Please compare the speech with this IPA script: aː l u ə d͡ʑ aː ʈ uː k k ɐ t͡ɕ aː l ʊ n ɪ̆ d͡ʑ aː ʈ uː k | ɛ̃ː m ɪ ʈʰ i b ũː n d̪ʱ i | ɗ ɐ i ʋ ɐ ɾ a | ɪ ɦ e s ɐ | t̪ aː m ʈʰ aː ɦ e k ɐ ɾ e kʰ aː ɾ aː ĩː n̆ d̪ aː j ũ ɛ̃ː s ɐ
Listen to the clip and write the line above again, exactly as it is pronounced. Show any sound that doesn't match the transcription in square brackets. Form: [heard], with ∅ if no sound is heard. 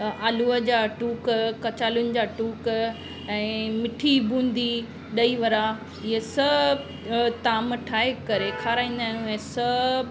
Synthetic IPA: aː l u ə d͡ʑ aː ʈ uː k k ɐ t͡ɕ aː l ʊ n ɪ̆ d͡ʑ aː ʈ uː k | ɛ̃ː m ɪ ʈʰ i b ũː n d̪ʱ i | ɗ ɐ i ʋ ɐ ɾ a | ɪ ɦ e s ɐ | t̪ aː m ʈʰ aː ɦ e k ɐ ɾ e kʰ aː ɾ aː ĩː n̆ d̪ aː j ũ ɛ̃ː s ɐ